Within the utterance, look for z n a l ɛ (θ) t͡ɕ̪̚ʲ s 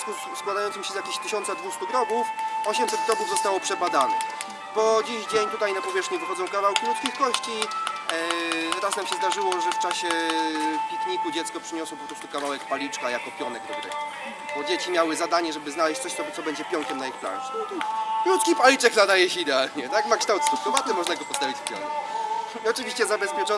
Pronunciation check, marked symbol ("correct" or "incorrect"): incorrect